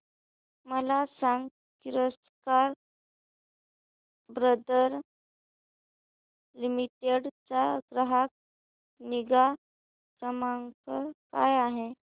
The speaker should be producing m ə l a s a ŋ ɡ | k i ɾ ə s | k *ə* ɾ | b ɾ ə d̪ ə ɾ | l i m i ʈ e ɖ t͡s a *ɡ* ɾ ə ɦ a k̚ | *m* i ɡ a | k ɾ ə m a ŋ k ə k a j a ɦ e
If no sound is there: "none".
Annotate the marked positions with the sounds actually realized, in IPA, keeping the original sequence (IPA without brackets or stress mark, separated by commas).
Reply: a, ɡ, n